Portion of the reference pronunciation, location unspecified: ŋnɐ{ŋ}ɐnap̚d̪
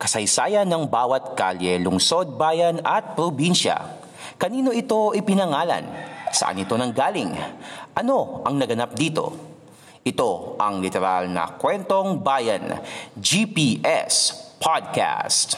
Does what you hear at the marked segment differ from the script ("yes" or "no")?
yes